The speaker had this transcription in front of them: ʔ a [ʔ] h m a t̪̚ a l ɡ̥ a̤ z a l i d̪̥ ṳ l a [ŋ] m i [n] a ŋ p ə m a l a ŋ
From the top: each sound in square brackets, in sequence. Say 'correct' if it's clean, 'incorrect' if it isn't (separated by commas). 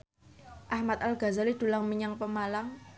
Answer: incorrect, correct, incorrect